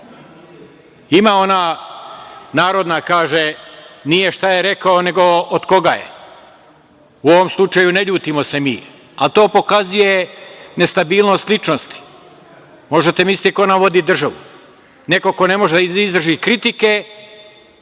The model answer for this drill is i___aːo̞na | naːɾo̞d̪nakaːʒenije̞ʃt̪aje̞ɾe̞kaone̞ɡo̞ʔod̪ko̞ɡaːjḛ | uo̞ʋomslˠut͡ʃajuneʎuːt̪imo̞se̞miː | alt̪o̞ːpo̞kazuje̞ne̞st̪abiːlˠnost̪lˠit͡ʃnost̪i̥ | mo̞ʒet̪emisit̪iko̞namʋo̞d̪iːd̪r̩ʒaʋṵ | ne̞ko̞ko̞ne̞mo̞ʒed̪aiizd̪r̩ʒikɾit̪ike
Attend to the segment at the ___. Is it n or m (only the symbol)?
m